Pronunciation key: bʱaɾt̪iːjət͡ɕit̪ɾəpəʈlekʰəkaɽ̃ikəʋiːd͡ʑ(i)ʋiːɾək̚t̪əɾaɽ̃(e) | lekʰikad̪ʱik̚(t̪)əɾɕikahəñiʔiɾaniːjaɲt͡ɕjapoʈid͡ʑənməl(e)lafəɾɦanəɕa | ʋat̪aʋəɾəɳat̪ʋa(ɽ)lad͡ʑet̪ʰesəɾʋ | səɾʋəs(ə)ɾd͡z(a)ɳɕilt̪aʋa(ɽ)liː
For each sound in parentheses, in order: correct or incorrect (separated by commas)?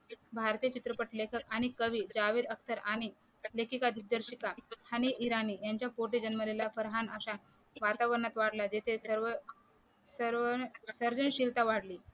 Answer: incorrect, incorrect, incorrect, correct, correct, correct, incorrect, correct